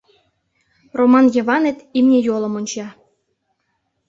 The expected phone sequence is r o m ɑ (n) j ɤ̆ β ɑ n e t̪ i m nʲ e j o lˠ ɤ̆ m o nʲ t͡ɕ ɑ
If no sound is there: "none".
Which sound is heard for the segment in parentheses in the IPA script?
n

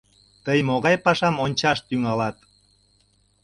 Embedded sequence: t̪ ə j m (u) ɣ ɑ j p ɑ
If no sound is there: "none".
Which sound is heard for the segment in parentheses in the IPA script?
o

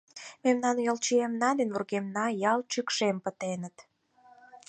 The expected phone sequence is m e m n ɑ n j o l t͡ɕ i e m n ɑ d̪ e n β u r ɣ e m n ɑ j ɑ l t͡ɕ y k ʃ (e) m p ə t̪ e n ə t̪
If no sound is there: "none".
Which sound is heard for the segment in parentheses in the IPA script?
e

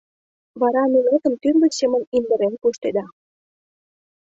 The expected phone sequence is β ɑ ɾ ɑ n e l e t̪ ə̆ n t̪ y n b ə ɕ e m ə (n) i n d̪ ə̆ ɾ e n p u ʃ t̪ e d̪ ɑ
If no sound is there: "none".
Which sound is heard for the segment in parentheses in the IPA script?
n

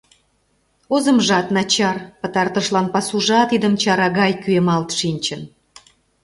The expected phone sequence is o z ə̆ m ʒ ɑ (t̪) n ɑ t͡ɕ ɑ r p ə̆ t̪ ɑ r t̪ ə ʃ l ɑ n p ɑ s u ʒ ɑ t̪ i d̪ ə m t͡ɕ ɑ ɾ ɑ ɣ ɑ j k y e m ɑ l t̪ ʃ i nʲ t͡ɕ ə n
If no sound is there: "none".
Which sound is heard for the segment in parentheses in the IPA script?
t̪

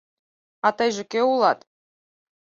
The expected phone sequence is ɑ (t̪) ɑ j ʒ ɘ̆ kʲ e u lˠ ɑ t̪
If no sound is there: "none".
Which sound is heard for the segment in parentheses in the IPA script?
t̪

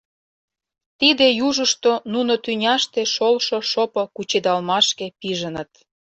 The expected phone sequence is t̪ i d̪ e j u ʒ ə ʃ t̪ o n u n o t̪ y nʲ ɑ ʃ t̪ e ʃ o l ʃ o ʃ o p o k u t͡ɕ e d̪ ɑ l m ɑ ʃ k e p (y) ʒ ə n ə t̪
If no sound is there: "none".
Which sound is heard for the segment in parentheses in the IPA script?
i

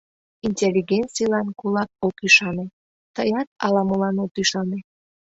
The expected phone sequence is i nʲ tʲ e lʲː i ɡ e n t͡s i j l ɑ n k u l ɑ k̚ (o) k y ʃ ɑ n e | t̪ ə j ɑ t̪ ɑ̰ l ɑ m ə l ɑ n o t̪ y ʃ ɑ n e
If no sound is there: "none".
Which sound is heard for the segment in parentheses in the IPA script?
o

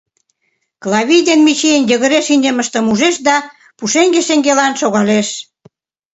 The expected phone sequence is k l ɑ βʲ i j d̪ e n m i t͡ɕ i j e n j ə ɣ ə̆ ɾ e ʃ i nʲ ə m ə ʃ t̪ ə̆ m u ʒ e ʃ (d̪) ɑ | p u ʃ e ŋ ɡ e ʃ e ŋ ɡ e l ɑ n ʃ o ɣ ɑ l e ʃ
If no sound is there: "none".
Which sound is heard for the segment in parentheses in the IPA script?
d̪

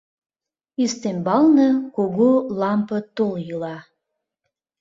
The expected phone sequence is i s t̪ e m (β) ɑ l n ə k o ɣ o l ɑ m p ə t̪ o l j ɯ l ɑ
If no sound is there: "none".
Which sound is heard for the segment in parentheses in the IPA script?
b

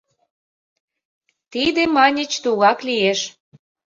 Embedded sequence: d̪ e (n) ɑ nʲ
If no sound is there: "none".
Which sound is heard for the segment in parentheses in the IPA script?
m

